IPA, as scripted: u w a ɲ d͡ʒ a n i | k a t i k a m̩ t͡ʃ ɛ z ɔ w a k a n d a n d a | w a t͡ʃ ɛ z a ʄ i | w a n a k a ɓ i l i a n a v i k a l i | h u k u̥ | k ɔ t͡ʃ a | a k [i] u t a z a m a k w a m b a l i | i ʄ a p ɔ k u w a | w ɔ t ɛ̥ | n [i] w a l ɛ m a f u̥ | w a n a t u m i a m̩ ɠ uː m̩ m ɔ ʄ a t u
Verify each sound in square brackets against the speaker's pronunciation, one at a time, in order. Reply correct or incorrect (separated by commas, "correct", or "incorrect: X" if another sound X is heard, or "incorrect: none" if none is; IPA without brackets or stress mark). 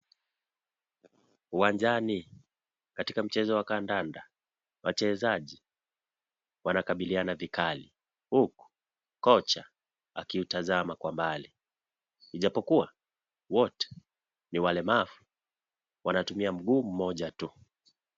correct, correct